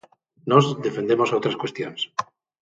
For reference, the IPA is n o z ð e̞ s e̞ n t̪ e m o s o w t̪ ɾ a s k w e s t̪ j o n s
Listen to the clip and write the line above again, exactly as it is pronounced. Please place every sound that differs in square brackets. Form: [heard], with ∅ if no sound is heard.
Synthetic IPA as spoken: n o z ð e̞ [f] e̞ n [d̪] e m o s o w t̪ ɾ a s k w e s t̪ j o n s